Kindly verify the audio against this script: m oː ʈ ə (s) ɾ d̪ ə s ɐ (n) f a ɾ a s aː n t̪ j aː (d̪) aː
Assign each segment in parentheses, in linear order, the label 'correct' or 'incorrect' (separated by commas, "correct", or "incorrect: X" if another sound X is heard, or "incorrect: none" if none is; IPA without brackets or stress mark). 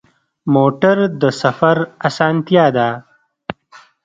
incorrect: none, incorrect: none, correct